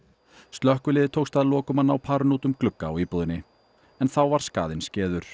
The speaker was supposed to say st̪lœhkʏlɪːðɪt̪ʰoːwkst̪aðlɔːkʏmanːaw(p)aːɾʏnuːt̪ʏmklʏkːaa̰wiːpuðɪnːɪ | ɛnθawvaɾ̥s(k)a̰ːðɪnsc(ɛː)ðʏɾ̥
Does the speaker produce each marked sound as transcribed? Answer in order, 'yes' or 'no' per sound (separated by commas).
no, yes, yes